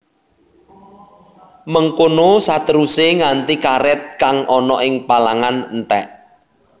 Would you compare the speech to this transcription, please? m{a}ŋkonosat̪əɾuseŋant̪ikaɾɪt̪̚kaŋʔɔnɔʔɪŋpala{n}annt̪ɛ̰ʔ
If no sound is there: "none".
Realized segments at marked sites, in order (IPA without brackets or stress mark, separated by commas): ə, ŋ